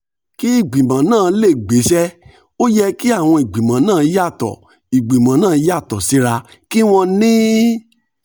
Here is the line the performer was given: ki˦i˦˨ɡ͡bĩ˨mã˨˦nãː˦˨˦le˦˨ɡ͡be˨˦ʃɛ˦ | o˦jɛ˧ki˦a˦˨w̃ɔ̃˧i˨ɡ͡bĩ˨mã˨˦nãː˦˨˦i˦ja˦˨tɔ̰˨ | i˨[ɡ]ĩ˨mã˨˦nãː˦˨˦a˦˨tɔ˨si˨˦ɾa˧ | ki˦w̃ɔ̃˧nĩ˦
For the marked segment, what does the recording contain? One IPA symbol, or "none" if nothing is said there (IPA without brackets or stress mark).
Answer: ɡ͡b